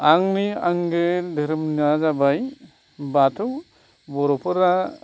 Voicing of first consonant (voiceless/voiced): voiced